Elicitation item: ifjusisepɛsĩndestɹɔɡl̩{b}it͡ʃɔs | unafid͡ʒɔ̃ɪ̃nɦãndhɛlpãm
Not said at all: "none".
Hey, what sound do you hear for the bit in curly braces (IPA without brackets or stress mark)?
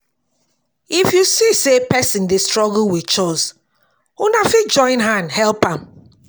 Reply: w